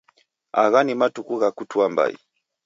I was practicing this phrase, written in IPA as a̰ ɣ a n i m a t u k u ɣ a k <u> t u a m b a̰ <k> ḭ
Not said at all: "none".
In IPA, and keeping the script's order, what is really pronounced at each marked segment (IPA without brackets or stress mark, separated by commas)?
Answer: u, none